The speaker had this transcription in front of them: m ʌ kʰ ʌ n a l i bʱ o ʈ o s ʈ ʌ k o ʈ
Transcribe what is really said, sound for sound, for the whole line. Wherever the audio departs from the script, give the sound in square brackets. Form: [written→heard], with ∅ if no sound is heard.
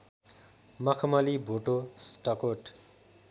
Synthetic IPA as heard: m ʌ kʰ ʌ [n→m] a l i bʱ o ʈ o s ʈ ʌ k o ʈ